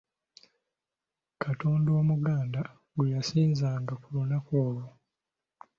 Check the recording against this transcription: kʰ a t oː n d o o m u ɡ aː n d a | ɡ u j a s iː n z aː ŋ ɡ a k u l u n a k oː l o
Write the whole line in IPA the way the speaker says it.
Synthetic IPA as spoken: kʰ a t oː n d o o m u ɡ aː n d a | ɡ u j a s iː n z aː ŋ ɡ a k u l u n a k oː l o